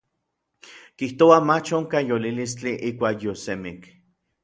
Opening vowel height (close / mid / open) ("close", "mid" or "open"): close